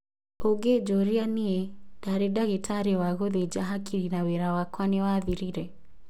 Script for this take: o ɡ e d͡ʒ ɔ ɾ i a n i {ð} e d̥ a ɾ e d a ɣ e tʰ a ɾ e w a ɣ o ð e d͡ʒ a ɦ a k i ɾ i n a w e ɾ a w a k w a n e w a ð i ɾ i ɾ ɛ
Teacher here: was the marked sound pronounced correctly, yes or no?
no